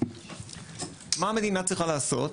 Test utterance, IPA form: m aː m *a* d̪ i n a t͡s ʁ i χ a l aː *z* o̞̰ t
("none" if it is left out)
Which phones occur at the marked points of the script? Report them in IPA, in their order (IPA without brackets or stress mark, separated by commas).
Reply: e, s